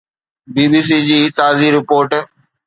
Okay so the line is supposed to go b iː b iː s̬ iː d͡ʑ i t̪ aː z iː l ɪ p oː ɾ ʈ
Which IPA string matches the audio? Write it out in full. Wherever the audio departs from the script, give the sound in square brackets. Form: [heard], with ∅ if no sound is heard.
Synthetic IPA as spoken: b iː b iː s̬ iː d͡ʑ [iː] t̪ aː z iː [ɾ] ɪ p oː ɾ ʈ

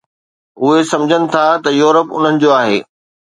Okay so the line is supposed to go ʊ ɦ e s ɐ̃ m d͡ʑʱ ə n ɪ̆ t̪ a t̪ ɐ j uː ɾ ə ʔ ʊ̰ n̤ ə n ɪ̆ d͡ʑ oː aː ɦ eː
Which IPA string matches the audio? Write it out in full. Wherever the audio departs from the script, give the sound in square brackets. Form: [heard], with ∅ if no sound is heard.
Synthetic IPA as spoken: ʊ ɦ e s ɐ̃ m d͡ʑʱ ə n ɪ̆ [t̪ʰ] a t̪ ɐ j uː ɾ ə [p] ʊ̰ n̤ ə n ɪ̆ d͡ʑ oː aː ɦ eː

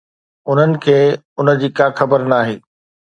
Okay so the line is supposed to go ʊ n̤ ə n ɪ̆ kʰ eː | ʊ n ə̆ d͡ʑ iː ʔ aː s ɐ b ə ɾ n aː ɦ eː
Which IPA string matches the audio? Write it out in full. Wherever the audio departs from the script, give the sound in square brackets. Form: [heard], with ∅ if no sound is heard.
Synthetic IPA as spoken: ʊ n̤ ə n ɪ̆ kʰ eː | ʊ n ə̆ d͡ʑ iː [k] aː [x] ɐ b ə ɾ n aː ɦ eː

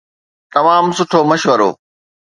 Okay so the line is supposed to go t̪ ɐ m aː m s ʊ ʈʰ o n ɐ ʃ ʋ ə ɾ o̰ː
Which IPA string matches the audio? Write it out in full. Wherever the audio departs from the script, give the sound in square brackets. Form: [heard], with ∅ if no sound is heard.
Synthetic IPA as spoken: t̪ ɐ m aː m s ʊ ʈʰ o [m] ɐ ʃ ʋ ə ɾ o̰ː

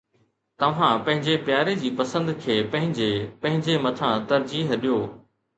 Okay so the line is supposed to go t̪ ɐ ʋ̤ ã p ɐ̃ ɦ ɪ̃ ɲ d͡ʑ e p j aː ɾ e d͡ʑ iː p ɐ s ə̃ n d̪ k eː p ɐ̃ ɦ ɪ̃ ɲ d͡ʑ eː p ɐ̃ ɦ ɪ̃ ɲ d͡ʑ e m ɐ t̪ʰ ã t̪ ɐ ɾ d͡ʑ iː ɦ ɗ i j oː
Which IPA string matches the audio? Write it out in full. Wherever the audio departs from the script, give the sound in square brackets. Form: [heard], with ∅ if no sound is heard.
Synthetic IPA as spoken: t̪ ɐ ʋ̤ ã p ɐ̃ ɦ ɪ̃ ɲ d͡ʑ e p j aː ɾ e d͡ʑ iː p ɐ s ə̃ n d̪ [kʰ] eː p ɐ̃ ɦ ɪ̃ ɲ d͡ʑ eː p ɐ̃ ɦ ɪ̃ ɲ d͡ʑ e m ɐ t̪ʰ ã t̪ ɐ ɾ d͡ʑ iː ɦ ɗ i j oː

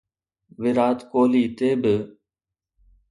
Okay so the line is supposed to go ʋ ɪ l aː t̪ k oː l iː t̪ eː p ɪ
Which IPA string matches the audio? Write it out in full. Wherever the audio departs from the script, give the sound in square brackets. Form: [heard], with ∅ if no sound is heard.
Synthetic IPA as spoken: ʋ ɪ [ɾ] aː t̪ k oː l iː t̪ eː [b] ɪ

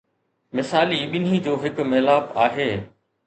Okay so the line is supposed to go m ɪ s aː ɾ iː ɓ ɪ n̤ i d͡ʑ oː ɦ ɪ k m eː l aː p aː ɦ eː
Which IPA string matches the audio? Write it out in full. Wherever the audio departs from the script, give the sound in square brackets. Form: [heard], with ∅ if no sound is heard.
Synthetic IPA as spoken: m ɪ s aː [l] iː ɓ ɪ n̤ i d͡ʑ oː ɦ ɪ k m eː l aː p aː ɦ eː

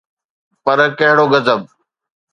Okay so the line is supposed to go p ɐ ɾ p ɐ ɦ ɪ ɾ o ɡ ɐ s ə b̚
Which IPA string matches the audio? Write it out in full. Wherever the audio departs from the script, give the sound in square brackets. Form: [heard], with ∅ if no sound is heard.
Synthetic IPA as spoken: p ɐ ɾ [k] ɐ ɦ ɪ [ɽ] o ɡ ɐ [z] ə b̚

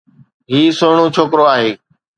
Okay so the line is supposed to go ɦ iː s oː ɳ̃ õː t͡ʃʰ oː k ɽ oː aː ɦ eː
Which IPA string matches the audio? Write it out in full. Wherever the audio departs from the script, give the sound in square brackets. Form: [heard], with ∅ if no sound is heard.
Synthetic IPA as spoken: ɦ iː s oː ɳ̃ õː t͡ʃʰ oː k [ɾ] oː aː ɦ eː

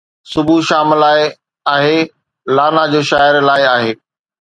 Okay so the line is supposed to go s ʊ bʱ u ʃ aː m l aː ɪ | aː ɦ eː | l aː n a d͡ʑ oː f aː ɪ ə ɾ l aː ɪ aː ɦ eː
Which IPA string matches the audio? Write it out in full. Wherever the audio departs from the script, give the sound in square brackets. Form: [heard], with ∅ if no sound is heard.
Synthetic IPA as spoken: s ʊ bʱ u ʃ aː m l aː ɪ | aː ɦ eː | l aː n a d͡ʑ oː [ʃ] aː ɪ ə ɾ l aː ɪ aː ɦ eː

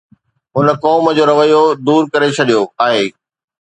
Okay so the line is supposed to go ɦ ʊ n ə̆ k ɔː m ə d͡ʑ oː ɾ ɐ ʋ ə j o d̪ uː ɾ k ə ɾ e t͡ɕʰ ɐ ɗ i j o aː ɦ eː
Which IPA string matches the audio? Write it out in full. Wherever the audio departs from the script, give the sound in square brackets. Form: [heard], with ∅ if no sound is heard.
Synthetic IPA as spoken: ɦ ʊ n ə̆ k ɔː m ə d͡ʑ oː ɾ ɐ ʋ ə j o d̪ uː ɾ k [ɐ] ɾ e t͡ɕʰ ɐ ɗ i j o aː ɦ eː

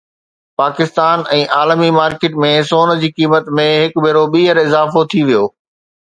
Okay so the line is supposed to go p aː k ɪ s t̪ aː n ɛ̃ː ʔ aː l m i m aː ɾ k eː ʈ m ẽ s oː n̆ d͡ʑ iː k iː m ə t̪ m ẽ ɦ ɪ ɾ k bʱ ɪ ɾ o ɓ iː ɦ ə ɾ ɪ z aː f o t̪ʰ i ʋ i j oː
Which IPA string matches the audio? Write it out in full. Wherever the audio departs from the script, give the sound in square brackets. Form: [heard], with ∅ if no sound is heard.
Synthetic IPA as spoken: p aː k ɪ s t̪ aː n ɛ̃ː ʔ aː l m i m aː ɾ k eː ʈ m ẽ s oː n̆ d͡ʑ iː k iː m ə t̪ m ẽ ɦ ɪ [∅] k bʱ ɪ ɾ o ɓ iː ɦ ə ɾ ɪ z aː f o t̪ʰ i ʋ i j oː

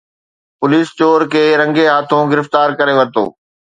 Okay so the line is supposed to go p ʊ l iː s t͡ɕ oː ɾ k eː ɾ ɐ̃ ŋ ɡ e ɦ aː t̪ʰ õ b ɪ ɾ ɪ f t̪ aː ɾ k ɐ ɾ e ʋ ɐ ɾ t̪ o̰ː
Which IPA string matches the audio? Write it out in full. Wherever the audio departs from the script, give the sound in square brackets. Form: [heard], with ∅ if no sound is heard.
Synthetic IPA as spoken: p ʊ l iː s t͡ɕ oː ɾ k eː ɾ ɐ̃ ŋ ɡ e ɦ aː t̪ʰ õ [ɡ] ɪ ɾ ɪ f t̪ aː ɾ k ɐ ɾ e ʋ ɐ ɾ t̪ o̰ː

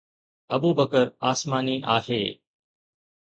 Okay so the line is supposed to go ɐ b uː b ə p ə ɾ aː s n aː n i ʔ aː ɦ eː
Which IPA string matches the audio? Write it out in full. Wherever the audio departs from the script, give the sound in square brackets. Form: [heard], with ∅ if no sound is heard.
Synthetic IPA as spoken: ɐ b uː b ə [k] ə ɾ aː s [m] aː n i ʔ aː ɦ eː

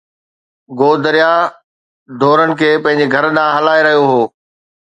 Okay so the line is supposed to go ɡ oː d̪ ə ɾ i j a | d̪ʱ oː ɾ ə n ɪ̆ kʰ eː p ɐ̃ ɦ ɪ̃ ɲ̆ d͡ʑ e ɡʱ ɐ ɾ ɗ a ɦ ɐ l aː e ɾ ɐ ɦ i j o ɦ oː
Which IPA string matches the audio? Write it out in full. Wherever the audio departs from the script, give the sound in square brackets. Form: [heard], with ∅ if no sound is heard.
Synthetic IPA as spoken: ɡ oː d̪ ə ɾ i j a | d̪ʱ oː ɾ ə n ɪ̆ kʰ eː p ɐ̃ ɦ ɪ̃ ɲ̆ d͡ʑ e ɡʱ ɐ ɾ ɗ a ɦ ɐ l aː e ɾ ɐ ɦ i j o ɦ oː

